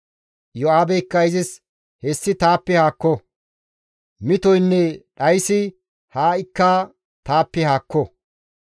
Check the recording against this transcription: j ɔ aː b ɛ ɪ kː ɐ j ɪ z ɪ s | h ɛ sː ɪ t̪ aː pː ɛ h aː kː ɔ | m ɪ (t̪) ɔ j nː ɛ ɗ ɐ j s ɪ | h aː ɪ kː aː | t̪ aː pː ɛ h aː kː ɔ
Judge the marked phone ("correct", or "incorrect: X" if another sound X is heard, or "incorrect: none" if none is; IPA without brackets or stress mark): correct